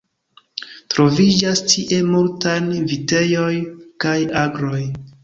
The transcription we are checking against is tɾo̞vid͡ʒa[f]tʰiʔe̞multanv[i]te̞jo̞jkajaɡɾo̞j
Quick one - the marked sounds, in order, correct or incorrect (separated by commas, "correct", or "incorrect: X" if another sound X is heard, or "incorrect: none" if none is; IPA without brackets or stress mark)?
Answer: incorrect: s, correct